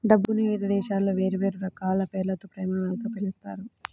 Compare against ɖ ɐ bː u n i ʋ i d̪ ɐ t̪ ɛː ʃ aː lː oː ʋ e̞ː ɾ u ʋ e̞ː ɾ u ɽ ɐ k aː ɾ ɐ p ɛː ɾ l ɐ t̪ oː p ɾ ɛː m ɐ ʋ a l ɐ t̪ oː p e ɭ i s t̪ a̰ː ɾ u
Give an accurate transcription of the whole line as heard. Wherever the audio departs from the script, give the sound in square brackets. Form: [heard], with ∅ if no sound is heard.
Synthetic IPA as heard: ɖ ɐ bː u n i ʋ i d̪ ɐ [d̪] ɛː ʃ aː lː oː ʋ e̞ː ɾ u ʋ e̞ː ɾ u [ɾ] ɐ k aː [l] ɐ p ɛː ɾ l ɐ t̪ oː p ɾ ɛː m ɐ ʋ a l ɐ t̪ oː p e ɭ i s t̪ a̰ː ɾ u